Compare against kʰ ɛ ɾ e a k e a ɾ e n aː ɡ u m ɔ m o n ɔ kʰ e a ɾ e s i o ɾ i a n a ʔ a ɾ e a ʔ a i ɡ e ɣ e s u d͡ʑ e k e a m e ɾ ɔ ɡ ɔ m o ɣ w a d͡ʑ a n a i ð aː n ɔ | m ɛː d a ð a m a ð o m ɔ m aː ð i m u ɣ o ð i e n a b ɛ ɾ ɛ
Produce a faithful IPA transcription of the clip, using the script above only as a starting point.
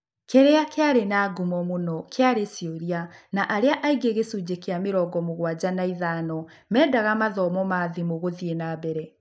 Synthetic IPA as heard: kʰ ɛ ɾ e a k e a ɾ e n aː ɡ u m ɔ m o n ɔ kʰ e a ɾ e s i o ɾ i a n a ʔ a ɾ e a ʔ a i ɡ e ɣ e s u d͡ʑ e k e a m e ɾ ɔ ɡ ɔ m o ɣ w a d͡ʑ a n a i ð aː n ɔ | m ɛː d a ɣ a m a ð ɔ m ɔ m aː ð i m o ɣ o ð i e n a b ɛ ɾ ɛ